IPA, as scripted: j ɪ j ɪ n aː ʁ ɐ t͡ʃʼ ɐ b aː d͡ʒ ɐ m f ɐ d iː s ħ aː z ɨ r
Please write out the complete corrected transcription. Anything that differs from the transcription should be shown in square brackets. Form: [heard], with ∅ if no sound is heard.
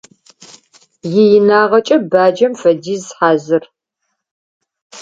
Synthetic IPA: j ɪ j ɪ n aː ʁ ɐ t͡ʃʼ ɐ b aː d͡ʒ ɐ m f ɐ d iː [z] ħ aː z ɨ r